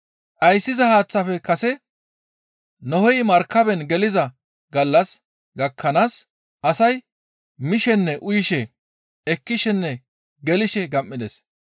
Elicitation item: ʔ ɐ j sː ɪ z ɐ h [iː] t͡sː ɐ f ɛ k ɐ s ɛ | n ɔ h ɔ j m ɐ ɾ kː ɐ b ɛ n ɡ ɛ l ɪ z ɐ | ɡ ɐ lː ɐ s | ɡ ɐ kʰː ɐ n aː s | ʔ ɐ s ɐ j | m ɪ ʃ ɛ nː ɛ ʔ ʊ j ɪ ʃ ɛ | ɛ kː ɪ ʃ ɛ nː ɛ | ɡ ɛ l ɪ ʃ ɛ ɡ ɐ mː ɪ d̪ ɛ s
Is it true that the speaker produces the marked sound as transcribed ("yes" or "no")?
no